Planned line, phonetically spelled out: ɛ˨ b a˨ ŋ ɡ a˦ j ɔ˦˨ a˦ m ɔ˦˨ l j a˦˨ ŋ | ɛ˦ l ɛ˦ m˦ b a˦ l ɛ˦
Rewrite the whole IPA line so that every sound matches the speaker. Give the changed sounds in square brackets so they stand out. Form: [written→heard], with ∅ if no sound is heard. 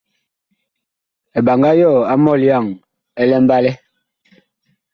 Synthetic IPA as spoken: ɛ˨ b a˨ ŋ ɡ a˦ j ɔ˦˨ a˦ m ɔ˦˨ l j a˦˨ ŋ | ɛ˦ l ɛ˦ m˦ b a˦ l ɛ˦